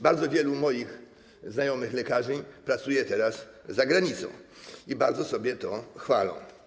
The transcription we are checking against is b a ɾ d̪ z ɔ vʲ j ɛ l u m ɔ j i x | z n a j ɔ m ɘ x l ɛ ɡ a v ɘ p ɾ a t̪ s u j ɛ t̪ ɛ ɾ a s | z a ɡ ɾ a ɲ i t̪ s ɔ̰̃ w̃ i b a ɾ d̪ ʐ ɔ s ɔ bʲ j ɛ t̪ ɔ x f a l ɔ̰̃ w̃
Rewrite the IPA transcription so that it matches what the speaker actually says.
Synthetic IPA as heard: b a ɾ d̪ z ɔ vʲ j ɛ l u m ɔ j i x | z n a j ɔ m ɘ x l ɛ k a ʐ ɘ p ɾ a t̪ s u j ɛ t̪ ɛ ɾ a s | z a ɡ ɾ a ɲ i t̪ s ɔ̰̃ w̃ i b a ɾ d̪ z ɔ s ɔ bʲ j ɛ t̪ ɔ x f a l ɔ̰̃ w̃